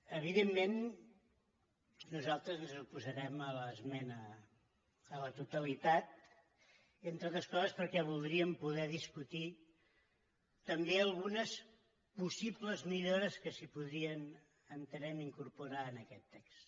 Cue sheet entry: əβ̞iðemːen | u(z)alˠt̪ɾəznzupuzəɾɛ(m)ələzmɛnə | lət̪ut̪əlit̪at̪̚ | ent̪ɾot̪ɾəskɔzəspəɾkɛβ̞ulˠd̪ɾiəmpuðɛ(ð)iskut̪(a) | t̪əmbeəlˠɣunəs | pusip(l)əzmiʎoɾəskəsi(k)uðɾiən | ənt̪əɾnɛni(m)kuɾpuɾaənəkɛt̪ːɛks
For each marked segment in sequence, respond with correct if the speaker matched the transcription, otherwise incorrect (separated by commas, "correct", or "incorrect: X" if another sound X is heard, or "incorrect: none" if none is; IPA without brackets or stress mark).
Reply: correct, correct, correct, incorrect: i, correct, incorrect: p, incorrect: ŋ